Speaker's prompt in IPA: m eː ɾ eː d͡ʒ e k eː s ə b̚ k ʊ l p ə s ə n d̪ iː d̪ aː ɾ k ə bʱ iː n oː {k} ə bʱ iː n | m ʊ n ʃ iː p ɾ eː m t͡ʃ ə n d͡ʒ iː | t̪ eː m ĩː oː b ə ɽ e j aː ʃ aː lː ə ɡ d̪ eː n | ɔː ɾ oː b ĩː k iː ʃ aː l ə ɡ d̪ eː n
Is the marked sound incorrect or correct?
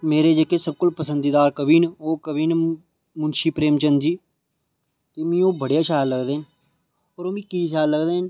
correct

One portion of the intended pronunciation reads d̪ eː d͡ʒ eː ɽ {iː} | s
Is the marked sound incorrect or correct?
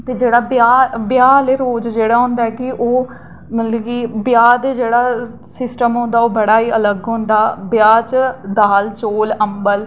incorrect: aː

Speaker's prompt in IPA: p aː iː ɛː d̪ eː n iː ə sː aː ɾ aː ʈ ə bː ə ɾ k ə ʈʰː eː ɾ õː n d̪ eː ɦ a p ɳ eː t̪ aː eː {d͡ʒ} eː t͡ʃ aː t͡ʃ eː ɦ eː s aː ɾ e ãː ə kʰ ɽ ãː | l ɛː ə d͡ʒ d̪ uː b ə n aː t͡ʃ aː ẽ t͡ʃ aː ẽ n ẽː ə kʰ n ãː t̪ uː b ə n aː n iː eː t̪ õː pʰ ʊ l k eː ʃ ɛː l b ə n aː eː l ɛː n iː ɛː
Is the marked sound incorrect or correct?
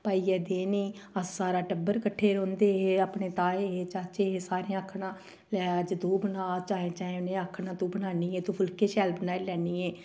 incorrect: none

